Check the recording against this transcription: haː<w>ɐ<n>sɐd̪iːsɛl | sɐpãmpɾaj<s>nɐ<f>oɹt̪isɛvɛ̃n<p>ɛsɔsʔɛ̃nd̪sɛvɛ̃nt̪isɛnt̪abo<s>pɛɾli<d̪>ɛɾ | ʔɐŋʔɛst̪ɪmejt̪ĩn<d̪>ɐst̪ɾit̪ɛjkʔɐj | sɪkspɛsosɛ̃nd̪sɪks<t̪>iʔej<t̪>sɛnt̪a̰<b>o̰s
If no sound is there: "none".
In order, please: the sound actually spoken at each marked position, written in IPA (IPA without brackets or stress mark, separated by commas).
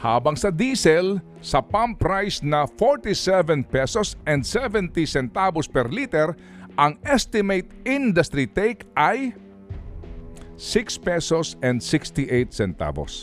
b, ŋ, s, f, p, s, t̪, d̪, t̪, t̪, b